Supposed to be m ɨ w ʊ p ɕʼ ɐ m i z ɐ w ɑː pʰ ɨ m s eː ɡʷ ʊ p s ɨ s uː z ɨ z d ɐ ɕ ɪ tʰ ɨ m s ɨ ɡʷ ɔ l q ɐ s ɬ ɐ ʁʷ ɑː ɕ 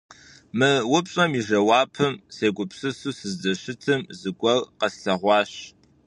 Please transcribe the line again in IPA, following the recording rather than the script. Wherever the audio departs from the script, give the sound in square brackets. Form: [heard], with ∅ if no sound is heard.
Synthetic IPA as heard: m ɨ w ʊ p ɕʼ ɐ m i [ʒ] ɐ w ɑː pʰ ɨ m s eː ɡʷ ʊ p s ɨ s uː [s] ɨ z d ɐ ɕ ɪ tʰ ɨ m [z] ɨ ɡʷ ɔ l q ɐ s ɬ ɐ ʁʷ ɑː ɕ